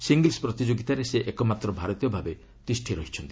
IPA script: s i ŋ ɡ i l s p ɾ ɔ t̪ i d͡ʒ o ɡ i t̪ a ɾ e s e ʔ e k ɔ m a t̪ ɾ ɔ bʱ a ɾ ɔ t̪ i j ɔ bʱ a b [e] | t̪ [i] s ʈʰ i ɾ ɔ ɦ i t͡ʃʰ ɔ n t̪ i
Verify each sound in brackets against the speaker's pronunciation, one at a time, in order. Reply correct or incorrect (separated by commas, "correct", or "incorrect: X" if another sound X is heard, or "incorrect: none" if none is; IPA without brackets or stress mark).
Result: correct, correct